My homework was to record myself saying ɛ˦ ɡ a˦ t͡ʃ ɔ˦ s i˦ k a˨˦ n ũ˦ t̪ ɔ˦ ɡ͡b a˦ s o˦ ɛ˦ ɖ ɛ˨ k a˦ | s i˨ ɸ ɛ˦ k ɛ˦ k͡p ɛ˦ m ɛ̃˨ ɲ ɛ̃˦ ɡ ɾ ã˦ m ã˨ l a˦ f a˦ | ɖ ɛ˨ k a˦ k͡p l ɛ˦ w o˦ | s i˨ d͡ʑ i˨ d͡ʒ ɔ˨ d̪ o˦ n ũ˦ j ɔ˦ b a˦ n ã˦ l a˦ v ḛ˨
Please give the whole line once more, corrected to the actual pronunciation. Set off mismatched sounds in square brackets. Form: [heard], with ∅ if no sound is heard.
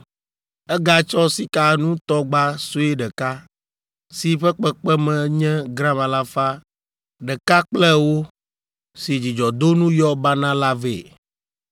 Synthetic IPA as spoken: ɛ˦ ɡ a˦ t͡ʃ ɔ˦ s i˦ k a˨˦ n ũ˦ t̪ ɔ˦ ɡ͡b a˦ s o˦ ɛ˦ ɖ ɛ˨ k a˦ | s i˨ ɸ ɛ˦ [k͡p] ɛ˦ k͡p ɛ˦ m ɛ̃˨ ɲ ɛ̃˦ ɡ ɾ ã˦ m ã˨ l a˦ f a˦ | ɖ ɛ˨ k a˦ k͡p l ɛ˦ w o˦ | s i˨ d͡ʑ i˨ d͡ʒ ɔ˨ d̪ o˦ n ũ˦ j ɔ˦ b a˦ n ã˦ l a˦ v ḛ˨